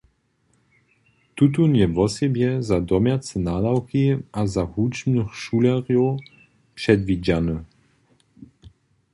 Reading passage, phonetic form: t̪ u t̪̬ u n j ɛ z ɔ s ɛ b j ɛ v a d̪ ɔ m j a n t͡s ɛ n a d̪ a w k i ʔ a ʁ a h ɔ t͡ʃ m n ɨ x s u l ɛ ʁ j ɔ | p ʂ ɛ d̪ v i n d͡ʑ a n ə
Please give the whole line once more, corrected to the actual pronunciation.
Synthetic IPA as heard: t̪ u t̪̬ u n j ɛ v ɔ s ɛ b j ɛ z a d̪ ɔ m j a t͡s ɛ n a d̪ a w k i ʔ a z a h u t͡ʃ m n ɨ x ʃ u l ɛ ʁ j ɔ | p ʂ ɛ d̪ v i d͡ʑ a n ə